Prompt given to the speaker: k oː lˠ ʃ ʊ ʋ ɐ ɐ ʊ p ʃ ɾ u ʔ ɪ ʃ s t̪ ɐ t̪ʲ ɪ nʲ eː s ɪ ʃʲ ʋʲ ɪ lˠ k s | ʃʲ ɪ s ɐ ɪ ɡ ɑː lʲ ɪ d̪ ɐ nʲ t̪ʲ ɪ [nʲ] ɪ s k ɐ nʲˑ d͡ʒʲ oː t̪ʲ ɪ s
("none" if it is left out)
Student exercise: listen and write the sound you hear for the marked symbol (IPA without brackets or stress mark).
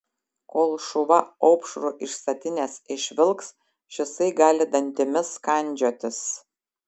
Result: mʲ